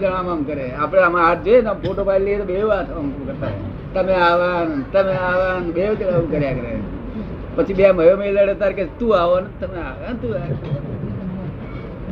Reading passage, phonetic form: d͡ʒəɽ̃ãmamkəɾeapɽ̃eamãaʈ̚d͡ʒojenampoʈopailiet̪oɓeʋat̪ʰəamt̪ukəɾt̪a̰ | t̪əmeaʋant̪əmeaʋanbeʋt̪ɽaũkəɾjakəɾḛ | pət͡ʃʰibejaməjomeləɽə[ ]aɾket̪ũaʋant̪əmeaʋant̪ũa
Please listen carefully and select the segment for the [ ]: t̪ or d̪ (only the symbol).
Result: t̪